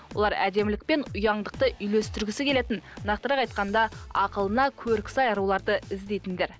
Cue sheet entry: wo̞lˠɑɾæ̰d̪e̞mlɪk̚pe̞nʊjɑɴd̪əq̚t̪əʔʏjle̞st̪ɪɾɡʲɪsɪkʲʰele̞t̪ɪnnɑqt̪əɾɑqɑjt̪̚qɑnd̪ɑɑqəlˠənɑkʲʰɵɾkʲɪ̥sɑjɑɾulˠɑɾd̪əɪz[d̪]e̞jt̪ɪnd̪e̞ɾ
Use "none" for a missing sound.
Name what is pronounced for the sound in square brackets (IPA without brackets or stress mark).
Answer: d̪